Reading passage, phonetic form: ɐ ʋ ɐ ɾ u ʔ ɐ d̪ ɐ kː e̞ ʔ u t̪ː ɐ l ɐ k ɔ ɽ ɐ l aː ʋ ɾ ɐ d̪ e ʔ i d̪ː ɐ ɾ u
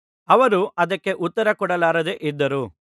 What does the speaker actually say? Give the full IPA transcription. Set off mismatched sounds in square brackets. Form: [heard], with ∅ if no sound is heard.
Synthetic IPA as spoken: ɐ ʋ ɐ ɾ u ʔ ɐ d̪ ɐ kː e̞ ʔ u t̪ː ɐ [ɾ] ɐ k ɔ ɽ ɐ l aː [∅] ɾ ɐ d̪ e ʔ i d̪ː ɐ ɾ u